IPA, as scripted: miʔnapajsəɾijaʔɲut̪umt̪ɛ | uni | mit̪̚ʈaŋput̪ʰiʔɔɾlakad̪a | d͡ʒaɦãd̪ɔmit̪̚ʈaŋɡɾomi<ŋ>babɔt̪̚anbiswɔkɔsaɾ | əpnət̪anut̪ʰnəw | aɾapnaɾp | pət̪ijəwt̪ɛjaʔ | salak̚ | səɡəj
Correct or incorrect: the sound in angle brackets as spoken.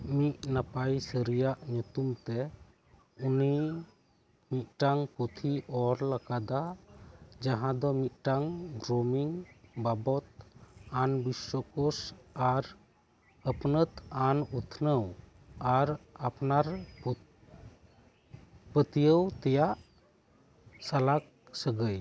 correct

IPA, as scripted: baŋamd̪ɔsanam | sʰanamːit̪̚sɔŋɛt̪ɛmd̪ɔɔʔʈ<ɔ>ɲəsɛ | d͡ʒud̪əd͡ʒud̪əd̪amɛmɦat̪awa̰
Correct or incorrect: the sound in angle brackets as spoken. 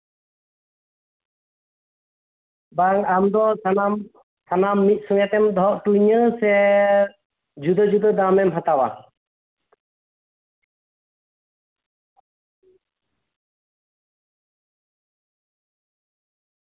incorrect: u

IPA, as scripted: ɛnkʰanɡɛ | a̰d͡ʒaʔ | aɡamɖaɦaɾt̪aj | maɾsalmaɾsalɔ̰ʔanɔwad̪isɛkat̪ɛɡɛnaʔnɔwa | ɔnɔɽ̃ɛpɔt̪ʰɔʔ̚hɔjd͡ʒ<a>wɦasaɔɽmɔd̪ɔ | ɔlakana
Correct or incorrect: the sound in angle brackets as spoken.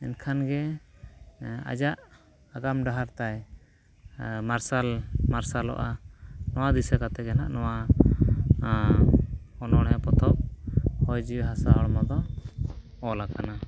incorrect: i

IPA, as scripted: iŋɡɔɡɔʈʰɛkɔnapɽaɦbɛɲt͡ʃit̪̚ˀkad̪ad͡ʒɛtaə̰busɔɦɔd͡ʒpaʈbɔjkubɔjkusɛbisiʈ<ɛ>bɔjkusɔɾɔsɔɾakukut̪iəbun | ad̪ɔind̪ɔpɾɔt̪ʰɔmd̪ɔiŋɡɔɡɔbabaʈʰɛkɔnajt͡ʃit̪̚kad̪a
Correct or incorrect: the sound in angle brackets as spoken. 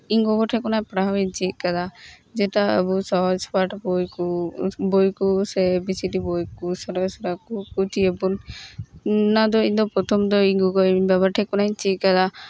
incorrect: i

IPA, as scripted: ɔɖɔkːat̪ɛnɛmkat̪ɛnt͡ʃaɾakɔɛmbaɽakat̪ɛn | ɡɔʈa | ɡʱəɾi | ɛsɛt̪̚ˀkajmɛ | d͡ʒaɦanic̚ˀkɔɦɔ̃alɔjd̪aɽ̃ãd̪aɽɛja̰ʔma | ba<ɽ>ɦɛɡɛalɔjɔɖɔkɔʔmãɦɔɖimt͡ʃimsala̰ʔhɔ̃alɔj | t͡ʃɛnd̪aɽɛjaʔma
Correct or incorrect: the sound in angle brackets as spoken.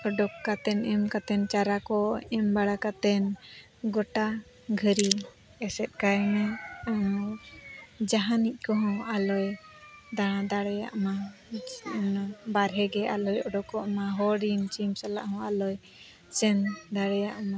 incorrect: ɾ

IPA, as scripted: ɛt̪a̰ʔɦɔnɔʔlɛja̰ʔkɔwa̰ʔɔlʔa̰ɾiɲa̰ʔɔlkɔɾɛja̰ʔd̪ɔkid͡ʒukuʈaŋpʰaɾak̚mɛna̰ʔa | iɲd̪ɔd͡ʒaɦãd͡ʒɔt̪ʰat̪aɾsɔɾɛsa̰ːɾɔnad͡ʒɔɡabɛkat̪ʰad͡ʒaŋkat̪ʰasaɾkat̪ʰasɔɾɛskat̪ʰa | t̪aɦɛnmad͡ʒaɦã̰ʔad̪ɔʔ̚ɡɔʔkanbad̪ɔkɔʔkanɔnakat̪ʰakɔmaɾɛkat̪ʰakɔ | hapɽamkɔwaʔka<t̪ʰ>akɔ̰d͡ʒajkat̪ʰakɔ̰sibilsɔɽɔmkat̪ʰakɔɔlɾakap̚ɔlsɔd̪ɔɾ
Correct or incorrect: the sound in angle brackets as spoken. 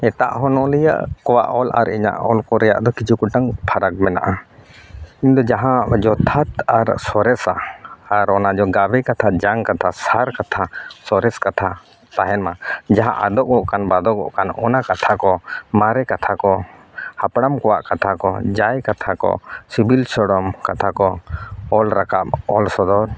correct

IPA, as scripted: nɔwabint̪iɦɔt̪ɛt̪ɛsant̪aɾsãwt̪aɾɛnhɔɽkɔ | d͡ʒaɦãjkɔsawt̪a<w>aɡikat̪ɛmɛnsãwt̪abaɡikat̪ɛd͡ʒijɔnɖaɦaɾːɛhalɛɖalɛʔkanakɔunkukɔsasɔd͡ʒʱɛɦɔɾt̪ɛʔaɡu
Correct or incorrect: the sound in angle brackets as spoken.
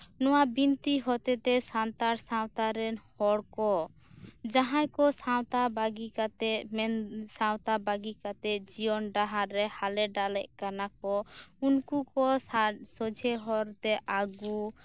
incorrect: b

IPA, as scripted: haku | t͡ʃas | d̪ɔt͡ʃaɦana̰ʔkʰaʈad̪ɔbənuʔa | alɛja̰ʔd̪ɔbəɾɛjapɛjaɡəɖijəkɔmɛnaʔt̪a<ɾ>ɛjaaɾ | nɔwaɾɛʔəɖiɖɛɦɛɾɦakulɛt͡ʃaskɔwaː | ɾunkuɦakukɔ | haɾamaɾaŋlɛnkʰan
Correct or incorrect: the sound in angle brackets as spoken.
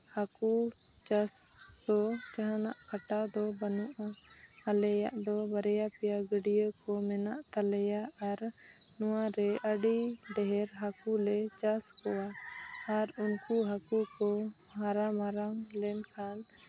incorrect: l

